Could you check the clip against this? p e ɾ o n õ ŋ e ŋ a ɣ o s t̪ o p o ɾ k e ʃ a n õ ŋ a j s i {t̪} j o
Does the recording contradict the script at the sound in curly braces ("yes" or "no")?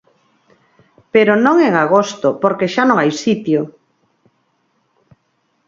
no